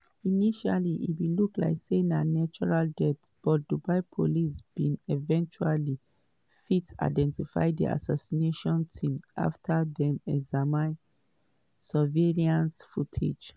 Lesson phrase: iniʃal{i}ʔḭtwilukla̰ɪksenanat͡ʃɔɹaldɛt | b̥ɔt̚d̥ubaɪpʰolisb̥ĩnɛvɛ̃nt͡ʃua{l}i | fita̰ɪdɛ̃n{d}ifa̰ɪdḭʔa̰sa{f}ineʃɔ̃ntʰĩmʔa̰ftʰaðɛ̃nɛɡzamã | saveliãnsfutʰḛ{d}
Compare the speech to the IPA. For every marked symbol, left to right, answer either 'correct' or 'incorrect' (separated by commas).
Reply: correct, correct, incorrect, incorrect, incorrect